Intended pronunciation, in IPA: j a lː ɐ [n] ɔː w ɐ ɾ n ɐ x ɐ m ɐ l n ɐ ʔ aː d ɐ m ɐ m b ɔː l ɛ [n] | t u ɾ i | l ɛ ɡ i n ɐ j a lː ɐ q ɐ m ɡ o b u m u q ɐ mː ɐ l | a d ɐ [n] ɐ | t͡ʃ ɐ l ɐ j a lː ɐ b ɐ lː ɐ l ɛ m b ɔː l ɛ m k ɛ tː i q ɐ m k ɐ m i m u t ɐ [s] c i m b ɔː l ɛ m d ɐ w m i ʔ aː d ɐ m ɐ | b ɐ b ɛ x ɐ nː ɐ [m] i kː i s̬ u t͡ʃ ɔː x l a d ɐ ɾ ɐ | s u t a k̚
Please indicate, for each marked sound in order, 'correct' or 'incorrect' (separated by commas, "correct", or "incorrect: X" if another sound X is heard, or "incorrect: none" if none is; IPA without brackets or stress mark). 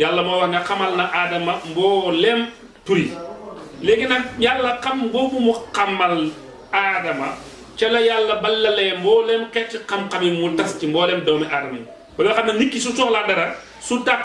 incorrect: m, incorrect: m, incorrect: m, correct, incorrect: n